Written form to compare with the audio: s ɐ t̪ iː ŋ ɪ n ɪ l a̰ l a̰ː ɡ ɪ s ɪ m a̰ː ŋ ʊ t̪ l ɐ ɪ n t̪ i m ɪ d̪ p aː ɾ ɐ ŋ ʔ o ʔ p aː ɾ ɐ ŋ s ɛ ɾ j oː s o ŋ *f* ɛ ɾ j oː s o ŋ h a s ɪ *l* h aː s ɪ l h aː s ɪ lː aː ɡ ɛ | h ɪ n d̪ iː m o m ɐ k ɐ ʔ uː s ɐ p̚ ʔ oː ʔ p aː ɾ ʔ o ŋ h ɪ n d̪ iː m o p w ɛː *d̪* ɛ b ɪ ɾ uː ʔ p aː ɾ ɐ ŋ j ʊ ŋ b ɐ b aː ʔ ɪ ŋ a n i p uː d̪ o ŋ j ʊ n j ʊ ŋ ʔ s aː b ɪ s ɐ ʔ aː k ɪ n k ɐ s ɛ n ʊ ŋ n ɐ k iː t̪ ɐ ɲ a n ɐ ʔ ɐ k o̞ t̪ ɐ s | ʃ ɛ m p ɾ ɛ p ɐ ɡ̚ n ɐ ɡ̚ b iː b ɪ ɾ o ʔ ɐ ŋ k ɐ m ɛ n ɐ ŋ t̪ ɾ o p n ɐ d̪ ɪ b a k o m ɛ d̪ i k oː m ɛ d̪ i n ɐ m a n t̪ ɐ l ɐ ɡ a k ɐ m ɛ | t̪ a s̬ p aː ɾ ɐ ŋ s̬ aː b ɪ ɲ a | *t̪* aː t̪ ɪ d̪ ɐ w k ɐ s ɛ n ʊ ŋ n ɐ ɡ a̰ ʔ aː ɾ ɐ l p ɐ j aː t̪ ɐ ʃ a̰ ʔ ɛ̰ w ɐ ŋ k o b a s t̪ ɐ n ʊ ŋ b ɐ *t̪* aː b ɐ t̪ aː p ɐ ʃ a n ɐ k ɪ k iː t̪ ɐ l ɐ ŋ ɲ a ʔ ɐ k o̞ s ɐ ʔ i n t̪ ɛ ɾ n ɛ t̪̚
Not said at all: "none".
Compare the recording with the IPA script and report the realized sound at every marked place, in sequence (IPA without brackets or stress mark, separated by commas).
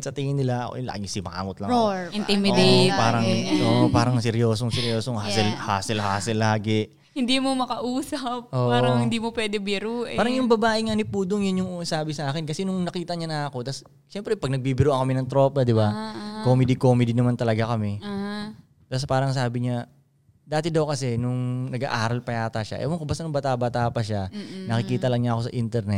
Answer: s, l, d̪, d̪, t̪